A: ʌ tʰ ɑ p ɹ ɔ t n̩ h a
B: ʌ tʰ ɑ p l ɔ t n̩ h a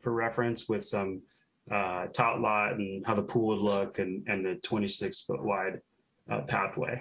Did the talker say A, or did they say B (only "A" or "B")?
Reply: B